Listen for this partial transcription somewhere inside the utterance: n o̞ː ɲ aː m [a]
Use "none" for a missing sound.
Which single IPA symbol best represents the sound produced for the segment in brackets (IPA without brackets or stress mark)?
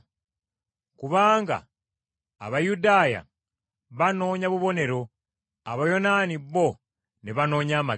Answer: a